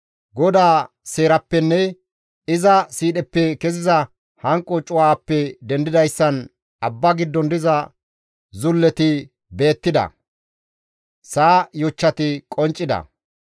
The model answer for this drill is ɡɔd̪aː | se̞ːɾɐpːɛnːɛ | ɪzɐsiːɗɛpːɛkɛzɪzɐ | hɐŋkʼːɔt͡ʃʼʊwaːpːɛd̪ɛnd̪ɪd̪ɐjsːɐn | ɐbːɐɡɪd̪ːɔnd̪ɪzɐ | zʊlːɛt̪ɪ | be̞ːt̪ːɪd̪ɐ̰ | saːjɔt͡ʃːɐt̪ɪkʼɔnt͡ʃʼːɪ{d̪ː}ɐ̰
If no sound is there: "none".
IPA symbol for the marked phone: d̪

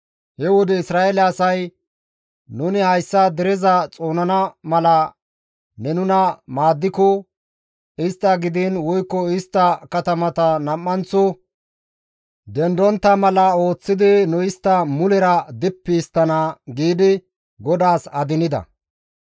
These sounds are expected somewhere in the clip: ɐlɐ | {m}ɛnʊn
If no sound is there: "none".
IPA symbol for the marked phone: n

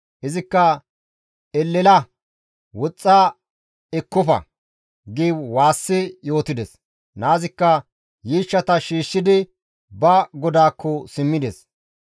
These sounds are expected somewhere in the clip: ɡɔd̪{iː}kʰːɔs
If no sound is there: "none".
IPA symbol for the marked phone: aː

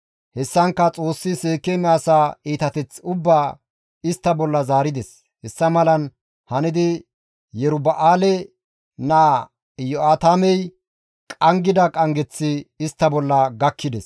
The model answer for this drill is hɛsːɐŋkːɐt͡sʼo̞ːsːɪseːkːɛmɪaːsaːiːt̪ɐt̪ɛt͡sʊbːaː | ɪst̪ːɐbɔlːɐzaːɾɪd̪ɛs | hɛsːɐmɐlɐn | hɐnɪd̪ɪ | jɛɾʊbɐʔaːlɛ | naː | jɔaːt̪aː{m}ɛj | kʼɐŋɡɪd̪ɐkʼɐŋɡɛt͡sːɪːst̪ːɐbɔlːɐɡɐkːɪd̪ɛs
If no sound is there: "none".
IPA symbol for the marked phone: m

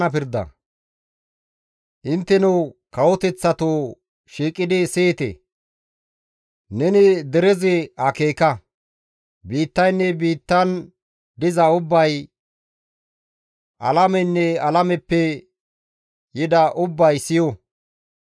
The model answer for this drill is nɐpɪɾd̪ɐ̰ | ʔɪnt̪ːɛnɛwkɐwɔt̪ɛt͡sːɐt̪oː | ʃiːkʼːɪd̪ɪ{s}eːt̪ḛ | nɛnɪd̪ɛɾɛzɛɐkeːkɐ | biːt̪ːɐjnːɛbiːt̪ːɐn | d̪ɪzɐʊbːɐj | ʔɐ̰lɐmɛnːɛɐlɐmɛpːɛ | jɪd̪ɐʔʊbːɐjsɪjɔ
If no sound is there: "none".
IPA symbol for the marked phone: s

